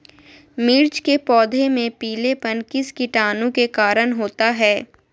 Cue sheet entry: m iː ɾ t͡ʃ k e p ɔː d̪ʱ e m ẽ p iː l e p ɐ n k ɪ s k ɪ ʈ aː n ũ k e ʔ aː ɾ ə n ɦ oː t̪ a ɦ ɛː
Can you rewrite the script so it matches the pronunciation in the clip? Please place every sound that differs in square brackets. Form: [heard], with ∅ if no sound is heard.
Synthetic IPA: m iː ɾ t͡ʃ k e p ɔː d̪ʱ e m ẽ p iː l e p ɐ n k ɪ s k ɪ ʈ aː n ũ k e [k] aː ɾ ə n ɦ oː t̪ a ɦ ɛː